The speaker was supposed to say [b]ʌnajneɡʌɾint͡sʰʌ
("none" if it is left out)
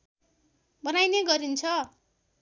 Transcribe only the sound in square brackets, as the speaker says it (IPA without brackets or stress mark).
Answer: b